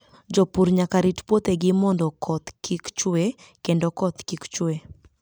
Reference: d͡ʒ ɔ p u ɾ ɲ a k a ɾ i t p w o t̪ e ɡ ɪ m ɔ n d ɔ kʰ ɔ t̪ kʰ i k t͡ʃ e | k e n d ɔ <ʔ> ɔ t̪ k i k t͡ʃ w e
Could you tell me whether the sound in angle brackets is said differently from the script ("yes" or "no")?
yes